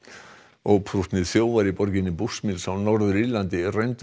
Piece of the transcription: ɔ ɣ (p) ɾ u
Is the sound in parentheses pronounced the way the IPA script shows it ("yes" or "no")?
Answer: no